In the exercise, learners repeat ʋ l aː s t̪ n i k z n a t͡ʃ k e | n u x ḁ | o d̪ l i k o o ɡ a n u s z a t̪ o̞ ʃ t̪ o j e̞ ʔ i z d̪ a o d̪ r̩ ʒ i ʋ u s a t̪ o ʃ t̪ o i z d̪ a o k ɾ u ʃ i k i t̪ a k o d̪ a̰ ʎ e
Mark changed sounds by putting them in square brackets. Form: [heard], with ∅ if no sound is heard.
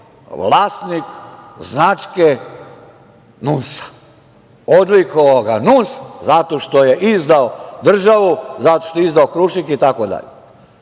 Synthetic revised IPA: ʋ l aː s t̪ n i k z n a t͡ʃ k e | n u [s] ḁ | o d̪ l i k o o ɡ a n u s z a t̪ o̞ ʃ t̪ o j e̞ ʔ i z d̪ a o d̪ r̩ ʒ [a] ʋ u [z] a t̪ o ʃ t̪ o i z d̪ a o k ɾ u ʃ i k i t̪ a k o d̪ a̰ ʎ e